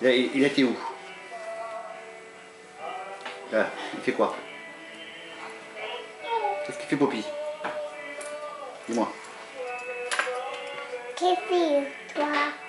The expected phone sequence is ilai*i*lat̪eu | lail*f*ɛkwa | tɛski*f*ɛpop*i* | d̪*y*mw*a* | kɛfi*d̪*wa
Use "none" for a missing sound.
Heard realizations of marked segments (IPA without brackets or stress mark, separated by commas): i, f, f, i, i, a, t̪